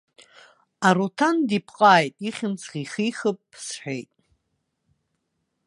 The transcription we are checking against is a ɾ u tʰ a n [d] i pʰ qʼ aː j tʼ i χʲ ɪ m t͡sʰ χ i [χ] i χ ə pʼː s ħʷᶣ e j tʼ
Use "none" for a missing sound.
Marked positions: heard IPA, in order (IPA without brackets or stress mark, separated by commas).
d, χ